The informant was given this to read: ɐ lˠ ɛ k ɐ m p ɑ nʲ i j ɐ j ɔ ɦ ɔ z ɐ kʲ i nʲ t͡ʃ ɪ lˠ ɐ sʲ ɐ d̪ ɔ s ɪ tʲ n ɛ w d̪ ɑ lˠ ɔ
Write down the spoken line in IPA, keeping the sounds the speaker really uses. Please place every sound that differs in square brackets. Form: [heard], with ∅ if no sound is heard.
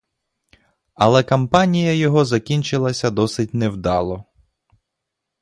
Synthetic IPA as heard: ɐ lˠ ɛ k ɐ m p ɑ nʲ i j ɐ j ɔ ɦ ɔ z ɐ kʲ i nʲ t͡ʃ ɪ lˠ ɐ sʲ ɐ d̪ ɔ s ɪ tʲ n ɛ w d̪ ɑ lˠ ɔ